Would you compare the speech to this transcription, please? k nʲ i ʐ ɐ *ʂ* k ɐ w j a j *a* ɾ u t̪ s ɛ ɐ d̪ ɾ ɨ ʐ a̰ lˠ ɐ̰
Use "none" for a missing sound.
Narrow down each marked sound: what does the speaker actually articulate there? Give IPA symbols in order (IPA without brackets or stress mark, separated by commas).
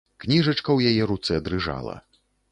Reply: t͡ʂ, ɛ